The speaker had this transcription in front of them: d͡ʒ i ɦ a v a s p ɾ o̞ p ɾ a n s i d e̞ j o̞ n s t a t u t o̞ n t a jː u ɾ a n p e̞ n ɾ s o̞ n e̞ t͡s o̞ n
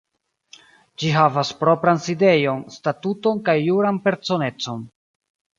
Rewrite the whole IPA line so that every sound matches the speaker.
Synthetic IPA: d͡ʒ i ɦ a v a s p ɾ o̞ p ɾ a n s i d e̞ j o̞ n s t a t u t o̞ n k a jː u ɾ a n p e̞ ɾ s o̞ n e̞ t͡s o̞ n